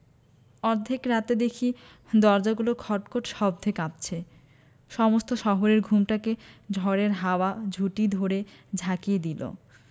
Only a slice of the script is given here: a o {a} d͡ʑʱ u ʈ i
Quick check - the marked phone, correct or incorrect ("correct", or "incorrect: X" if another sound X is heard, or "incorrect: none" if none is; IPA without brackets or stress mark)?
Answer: correct